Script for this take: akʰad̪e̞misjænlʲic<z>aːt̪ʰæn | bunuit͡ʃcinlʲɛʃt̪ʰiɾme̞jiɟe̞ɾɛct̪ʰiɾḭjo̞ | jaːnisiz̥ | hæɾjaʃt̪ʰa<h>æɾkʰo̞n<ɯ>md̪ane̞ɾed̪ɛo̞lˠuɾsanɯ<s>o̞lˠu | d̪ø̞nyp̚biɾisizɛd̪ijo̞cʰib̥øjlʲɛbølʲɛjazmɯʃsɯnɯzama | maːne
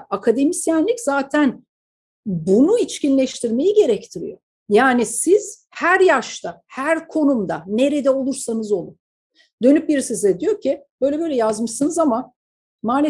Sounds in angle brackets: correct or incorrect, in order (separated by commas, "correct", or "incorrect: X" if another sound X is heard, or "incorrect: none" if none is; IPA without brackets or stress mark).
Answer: correct, correct, incorrect: u, incorrect: z